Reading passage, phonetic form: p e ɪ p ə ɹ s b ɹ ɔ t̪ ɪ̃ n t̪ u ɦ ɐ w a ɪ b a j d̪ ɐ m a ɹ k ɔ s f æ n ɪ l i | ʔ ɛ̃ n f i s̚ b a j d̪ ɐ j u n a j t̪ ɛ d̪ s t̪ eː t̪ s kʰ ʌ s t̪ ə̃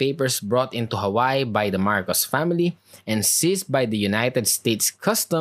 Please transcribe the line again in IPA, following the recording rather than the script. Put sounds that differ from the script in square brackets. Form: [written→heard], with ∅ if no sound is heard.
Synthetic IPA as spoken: p e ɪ p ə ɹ s b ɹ ɔ t̪ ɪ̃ n t̪ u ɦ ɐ w a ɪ b a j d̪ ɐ m a ɹ k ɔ s f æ [n→m] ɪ l i | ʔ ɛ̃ n [f→s] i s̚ b a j d̪ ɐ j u n a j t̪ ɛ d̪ s t̪ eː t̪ s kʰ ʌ s t̪ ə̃